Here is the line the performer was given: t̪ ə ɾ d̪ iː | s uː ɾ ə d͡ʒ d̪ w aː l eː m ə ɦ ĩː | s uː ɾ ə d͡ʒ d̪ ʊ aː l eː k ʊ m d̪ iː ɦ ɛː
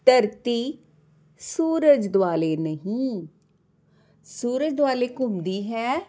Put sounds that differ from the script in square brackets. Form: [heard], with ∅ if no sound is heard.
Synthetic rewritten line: t̪ ə ɾ [t̪] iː | s uː ɾ ə d͡ʒ d̪ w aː l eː [n] ə ɦ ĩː | s uː ɾ ə d͡ʒ d̪ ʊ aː l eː k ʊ m d̪ iː ɦ ɛː